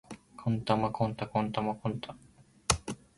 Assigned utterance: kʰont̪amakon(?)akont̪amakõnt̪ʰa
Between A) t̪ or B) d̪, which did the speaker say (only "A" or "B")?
A